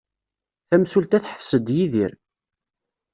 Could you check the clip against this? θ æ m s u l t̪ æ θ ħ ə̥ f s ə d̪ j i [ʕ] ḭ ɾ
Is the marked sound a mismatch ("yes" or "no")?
yes